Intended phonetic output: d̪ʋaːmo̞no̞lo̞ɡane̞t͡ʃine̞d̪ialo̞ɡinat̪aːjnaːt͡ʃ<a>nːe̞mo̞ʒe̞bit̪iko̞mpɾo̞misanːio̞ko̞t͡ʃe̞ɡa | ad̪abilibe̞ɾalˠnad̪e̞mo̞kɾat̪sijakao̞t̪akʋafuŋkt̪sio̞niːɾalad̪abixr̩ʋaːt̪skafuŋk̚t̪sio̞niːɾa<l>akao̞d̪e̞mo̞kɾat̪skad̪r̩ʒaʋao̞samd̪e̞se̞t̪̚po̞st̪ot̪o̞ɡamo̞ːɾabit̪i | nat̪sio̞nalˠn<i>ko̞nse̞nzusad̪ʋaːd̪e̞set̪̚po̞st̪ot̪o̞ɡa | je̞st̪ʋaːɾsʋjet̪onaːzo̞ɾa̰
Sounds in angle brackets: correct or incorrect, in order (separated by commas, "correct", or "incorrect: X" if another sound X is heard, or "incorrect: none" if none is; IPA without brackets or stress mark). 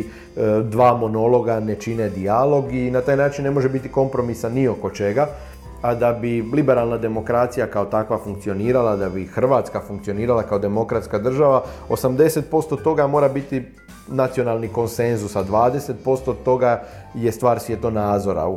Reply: incorrect: i, correct, correct